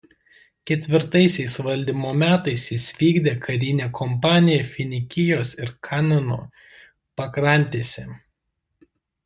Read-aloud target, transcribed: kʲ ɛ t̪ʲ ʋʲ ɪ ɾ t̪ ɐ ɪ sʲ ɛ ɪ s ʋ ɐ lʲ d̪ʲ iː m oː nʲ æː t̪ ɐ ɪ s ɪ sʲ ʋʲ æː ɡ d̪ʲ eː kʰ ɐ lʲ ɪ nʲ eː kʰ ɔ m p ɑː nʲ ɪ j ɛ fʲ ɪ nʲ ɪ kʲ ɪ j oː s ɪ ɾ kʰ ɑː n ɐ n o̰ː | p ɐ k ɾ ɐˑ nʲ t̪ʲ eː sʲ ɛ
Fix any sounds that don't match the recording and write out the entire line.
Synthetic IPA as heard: kʲ ɛ t̪ʲ ʋʲ ɪ ɾ t̪ ɐ ɪ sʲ ɛ ɪ s ʋ ɐ lʲ d̪ʲ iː m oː mʲ æː t̪ ɐ ɪ s ɪ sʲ ʋʲ iː ɡ d̪ʲ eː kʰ ɐ ɾʲ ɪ nʲ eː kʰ ɔ m p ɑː nʲ ɪ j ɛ fʲ ɪ nʲ ɪ kʲ ɪ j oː s ɪ ɾ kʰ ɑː n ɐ n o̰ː | p ɐ k ɾ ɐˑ nʲ t̪ʲ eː sʲ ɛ